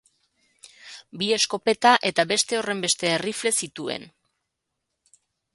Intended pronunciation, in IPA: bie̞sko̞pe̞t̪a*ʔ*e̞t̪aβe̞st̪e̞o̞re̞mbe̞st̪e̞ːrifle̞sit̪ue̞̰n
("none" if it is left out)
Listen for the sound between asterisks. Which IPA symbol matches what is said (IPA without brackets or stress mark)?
ʔ